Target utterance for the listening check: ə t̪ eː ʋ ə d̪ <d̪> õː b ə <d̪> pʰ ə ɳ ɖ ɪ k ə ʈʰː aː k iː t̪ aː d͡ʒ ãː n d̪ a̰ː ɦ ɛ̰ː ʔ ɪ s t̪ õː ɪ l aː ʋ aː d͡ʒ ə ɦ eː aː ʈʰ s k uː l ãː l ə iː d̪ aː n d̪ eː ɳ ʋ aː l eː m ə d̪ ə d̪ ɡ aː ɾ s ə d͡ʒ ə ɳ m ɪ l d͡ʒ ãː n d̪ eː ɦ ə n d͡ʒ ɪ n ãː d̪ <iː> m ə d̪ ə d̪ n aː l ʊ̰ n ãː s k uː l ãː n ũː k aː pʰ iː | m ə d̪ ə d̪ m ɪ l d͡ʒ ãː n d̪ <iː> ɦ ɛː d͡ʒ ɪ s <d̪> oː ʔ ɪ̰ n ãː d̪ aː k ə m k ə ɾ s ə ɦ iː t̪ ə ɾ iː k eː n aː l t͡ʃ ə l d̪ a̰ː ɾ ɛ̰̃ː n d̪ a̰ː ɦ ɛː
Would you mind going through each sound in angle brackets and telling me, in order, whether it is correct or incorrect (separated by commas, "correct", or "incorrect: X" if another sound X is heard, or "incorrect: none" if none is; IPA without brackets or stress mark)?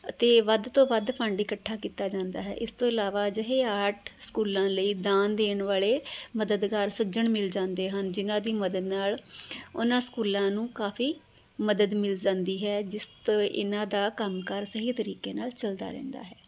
incorrect: t̪, correct, correct, correct, incorrect: t̪